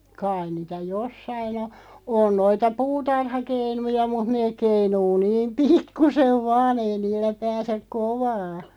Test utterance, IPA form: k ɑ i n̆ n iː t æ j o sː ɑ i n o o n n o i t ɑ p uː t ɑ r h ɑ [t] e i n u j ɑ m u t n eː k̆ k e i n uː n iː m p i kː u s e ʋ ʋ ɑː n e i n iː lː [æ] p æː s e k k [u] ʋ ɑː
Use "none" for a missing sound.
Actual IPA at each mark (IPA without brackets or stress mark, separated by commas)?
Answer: k, æ, o